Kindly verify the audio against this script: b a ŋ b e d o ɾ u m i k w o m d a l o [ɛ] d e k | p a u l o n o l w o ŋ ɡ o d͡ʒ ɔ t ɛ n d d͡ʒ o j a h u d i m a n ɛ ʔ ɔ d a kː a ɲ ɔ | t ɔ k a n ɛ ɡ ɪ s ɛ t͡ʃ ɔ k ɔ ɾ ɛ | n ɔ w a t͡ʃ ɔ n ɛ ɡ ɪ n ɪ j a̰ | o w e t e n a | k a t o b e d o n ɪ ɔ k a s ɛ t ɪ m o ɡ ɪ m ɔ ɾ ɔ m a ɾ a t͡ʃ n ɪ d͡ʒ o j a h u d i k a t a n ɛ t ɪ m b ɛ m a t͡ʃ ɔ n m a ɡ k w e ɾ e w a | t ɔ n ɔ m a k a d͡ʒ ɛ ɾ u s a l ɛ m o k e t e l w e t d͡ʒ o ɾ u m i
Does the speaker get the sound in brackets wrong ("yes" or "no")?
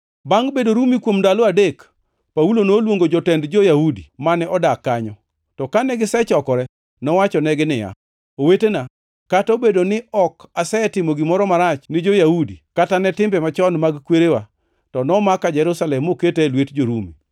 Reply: yes